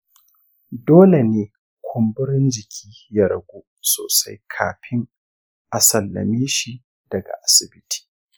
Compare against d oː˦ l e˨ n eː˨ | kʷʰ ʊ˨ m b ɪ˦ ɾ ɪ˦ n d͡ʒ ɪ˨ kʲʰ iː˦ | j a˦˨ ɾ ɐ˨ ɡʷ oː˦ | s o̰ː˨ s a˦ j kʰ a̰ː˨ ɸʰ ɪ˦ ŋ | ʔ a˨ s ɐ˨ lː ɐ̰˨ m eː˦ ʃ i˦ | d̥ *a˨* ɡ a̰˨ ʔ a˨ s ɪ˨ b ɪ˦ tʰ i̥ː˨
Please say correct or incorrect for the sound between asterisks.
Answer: incorrect